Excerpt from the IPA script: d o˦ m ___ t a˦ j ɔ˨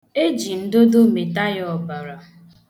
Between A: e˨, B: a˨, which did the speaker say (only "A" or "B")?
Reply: A